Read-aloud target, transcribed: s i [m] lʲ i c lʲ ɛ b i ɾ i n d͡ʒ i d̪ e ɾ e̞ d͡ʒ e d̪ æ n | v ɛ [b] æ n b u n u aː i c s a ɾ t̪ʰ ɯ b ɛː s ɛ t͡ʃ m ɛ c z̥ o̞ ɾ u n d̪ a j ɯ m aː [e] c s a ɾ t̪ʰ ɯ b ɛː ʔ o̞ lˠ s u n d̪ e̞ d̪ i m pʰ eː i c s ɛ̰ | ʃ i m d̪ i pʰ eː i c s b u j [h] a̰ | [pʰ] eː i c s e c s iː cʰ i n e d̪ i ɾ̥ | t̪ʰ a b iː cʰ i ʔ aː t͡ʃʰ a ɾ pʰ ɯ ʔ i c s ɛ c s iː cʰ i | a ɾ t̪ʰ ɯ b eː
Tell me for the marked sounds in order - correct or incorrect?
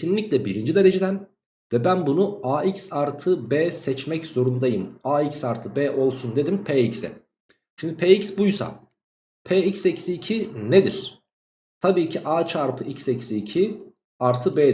incorrect, correct, incorrect, incorrect, correct

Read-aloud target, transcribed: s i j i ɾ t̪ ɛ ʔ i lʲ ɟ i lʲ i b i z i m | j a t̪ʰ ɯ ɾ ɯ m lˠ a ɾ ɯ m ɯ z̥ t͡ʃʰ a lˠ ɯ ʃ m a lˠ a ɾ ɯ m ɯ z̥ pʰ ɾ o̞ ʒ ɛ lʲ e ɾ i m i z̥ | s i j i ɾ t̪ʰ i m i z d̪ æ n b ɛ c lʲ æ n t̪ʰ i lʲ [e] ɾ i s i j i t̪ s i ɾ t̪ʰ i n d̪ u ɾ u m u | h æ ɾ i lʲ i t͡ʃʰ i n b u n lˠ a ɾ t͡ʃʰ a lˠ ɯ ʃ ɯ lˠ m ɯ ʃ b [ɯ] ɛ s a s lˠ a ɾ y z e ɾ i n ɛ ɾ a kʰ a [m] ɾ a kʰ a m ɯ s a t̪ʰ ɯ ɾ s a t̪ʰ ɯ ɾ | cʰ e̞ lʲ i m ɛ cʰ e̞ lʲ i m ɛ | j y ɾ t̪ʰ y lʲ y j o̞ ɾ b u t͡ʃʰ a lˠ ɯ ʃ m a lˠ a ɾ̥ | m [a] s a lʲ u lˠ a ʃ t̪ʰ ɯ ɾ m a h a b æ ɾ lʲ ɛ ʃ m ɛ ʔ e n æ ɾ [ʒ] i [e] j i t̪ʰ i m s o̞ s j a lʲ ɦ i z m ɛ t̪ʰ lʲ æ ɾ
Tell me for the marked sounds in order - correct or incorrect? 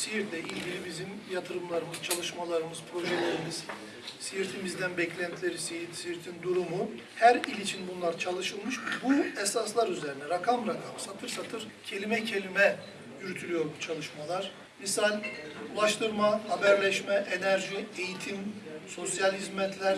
correct, incorrect, correct, incorrect, correct, correct

